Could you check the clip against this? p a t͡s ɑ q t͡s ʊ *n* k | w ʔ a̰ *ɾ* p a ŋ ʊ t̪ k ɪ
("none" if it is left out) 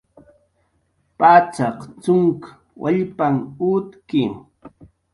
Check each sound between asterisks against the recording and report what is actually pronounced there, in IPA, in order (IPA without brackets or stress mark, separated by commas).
ŋ, ʎ